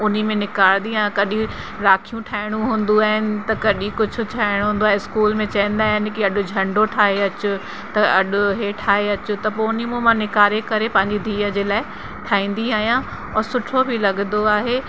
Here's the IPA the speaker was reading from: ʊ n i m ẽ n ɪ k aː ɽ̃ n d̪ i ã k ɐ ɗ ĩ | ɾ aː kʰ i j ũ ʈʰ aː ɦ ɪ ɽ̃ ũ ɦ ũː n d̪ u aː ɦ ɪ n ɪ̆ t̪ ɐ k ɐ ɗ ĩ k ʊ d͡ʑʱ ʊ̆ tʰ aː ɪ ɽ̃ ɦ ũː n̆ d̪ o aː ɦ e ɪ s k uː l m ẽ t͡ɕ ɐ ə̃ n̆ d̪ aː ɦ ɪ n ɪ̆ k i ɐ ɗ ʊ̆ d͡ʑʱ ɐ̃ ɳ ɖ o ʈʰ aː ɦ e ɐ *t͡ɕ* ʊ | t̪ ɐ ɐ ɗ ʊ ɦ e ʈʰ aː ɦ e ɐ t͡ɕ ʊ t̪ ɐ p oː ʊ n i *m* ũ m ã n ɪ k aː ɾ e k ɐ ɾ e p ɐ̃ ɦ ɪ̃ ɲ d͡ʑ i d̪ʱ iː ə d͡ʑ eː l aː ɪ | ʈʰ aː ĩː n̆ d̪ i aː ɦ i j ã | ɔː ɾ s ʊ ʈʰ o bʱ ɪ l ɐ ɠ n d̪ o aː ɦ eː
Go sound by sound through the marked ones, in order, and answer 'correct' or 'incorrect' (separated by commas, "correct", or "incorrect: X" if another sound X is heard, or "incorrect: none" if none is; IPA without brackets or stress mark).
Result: correct, correct